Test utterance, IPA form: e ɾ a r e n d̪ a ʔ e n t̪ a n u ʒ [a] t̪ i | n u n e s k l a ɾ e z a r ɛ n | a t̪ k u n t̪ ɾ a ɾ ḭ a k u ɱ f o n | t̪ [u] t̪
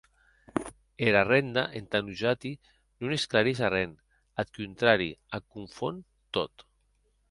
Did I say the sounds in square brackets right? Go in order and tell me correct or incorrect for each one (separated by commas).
correct, incorrect